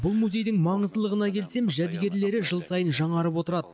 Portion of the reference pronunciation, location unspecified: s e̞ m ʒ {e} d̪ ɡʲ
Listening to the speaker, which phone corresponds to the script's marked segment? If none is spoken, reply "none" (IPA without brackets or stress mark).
æ